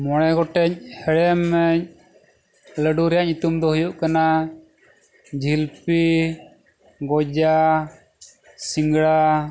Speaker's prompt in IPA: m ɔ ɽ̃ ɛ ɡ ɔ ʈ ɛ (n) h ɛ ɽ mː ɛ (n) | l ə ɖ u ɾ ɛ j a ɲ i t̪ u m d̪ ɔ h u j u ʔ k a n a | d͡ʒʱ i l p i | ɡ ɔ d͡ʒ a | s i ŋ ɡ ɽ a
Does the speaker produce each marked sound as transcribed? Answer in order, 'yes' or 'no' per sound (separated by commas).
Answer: no, no